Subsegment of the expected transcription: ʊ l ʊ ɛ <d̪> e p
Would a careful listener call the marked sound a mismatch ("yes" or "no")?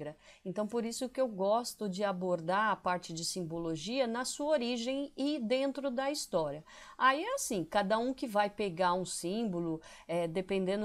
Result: no